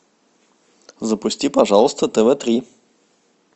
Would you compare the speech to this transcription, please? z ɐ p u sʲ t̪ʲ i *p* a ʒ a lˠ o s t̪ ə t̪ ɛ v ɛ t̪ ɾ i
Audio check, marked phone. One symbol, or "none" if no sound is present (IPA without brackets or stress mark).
p